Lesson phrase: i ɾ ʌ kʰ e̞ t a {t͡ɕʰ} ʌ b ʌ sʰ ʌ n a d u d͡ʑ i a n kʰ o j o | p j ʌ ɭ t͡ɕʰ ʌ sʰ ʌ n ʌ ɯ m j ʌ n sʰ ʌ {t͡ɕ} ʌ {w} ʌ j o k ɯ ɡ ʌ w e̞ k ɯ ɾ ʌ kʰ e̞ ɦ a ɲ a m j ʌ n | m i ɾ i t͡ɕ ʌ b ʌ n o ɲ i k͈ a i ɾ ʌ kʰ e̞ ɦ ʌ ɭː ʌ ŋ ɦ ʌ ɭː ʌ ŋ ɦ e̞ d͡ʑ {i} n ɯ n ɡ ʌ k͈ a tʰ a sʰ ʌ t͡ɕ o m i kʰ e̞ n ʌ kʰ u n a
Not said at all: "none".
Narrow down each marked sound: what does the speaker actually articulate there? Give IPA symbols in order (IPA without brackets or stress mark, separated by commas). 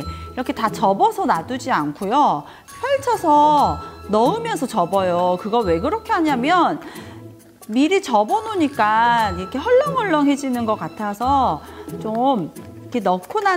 t͡ɕ, t͡ɕ, b, i